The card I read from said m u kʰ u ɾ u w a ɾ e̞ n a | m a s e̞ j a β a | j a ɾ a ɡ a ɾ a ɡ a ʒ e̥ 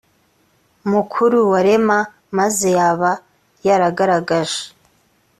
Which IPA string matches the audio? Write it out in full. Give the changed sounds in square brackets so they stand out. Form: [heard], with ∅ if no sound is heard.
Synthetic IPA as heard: m u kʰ u ɾ u w a ɾ e̞ [m] a | m a [z] e̞ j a β a | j a ɾ a ɡ a ɾ a ɡ a ʒ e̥